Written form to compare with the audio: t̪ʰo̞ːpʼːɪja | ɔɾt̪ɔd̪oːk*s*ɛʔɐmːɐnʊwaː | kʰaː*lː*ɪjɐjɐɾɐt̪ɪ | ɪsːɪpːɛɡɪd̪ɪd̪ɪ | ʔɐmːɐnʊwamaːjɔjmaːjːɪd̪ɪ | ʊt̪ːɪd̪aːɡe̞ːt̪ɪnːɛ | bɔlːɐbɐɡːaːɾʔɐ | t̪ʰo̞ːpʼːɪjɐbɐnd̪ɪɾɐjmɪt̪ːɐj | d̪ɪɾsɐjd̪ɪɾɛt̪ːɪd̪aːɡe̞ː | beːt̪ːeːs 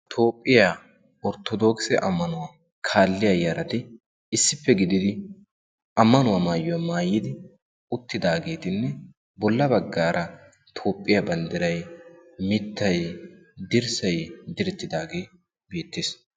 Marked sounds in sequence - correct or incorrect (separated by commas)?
correct, correct